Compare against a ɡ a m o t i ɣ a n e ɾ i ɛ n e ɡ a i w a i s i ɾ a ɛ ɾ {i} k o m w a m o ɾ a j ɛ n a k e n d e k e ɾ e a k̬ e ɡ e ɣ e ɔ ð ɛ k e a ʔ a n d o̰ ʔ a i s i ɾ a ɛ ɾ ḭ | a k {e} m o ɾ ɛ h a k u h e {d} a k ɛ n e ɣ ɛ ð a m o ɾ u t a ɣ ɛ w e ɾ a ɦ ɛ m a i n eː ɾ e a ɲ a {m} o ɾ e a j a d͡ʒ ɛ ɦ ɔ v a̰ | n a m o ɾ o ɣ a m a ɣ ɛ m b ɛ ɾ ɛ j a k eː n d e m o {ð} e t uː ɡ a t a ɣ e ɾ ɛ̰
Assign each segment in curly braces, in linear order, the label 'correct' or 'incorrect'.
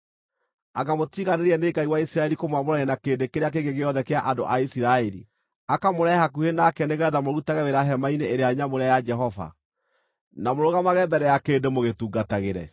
correct, incorrect: a, incorrect: n, correct, incorrect: ɣ

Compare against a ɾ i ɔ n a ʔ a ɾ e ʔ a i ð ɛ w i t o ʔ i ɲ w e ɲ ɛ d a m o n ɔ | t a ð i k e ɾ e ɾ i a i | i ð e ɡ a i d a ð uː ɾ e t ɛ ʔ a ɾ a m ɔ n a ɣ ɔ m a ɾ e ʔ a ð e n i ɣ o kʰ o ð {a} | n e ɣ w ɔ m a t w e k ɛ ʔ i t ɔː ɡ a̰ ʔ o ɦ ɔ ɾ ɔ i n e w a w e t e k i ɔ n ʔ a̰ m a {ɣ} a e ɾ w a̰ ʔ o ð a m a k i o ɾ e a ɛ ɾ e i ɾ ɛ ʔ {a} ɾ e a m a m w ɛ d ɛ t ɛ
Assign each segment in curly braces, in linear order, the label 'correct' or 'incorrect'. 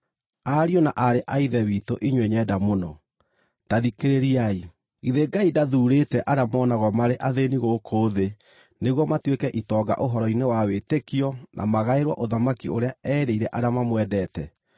incorrect: e, correct, correct

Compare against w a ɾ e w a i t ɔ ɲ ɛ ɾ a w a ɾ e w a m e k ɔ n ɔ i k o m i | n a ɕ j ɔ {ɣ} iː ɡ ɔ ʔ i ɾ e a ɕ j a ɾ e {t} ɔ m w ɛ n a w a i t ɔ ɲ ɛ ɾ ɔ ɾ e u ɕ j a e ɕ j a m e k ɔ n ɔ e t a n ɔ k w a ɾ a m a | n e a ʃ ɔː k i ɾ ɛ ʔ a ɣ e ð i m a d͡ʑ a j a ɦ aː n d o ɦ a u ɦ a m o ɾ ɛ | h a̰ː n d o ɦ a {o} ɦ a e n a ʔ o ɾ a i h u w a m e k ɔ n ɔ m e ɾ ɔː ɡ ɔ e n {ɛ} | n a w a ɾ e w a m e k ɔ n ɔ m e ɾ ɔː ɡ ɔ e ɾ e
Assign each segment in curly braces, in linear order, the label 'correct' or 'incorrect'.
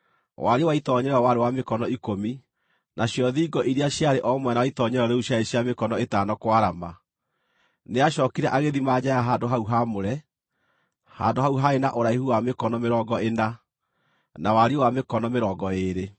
incorrect: ð, incorrect: ʔ, incorrect: u, incorrect: a

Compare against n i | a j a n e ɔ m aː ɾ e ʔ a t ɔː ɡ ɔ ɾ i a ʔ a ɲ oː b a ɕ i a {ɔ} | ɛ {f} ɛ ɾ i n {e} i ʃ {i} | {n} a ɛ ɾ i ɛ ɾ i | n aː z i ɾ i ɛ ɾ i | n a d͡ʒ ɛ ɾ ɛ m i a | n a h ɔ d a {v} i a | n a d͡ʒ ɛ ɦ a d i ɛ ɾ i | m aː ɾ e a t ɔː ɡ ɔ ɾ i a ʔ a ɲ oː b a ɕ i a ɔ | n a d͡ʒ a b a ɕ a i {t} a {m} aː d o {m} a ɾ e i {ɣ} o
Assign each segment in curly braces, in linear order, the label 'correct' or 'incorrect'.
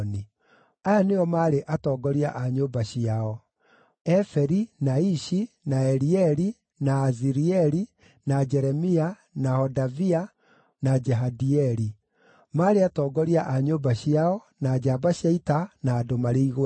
correct, correct, incorrect: a, correct, correct, correct, correct, incorrect: n, correct, correct

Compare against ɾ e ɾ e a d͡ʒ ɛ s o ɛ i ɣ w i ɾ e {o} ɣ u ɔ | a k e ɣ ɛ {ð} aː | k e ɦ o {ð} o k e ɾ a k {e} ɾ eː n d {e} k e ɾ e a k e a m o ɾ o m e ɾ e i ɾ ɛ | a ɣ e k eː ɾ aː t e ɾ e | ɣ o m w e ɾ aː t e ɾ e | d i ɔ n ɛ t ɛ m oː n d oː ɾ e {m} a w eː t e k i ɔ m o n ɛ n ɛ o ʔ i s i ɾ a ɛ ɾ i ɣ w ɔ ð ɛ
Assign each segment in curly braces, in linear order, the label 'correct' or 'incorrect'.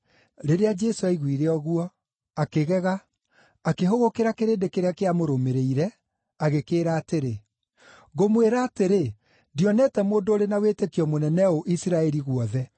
incorrect: ɔ, incorrect: ɣ, incorrect: ɣ, correct, correct, incorrect: n

